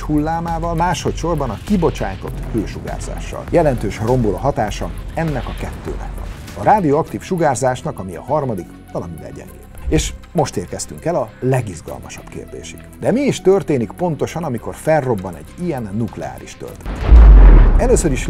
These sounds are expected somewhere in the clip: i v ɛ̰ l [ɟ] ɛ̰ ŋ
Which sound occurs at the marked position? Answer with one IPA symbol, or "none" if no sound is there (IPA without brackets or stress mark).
ɟ